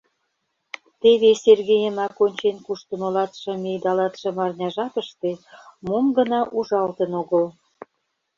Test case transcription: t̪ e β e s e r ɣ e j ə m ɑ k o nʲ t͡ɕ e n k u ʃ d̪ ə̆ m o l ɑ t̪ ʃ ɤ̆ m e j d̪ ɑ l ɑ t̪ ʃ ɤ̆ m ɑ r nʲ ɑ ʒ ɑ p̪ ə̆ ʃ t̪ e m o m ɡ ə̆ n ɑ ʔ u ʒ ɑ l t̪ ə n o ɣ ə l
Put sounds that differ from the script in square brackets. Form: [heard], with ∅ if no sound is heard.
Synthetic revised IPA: t̪ e β e s e r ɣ e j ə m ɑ k o nʲ t͡ɕ e n k u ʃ [t̪] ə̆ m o l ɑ t̪ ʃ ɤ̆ m e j d̪ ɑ l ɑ t̪ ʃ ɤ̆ m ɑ r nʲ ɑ ʒ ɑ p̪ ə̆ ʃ t̪ e m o m ɡ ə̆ n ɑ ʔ u ʒ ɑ l t̪ ə n o ɣ ə l